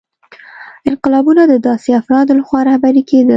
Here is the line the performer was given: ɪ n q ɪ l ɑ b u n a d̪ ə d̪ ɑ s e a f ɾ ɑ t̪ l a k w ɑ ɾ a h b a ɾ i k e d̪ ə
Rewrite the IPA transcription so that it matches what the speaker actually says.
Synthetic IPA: ɪ n q ɪ l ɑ b u n a d̪ ə d̪ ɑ s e a f ɾ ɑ d̪ l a x w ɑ ɾ a h b a ɾ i k e d̪ ə